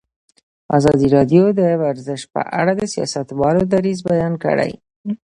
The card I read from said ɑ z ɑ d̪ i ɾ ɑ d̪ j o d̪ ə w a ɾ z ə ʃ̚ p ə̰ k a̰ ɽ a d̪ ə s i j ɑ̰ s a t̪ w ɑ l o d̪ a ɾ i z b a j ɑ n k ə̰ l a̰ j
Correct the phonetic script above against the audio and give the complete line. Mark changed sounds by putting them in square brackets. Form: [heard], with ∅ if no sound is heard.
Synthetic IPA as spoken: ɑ z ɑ d̪ i ɾ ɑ d̪ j o d̪ ə w a ɾ z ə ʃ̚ p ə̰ [ʔ] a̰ ɽ a d̪ ə s i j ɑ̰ s a t̪ w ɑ l o d̪ a ɾ i z b a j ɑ n k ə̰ [ɽ] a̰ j